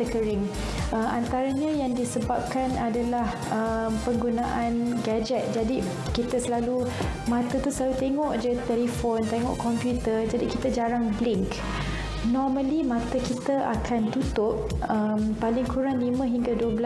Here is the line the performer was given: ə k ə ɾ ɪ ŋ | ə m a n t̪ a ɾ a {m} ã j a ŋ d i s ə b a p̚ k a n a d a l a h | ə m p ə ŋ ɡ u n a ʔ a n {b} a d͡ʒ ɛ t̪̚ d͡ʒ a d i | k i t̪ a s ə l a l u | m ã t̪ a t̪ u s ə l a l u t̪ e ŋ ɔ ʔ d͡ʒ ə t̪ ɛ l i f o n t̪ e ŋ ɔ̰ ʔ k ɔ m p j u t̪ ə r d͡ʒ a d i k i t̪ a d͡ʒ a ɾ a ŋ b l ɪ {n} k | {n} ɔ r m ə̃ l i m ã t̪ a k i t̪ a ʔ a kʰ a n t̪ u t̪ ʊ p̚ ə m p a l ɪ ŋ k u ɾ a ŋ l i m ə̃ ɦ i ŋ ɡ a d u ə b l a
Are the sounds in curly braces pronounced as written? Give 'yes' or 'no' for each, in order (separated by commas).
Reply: no, no, no, yes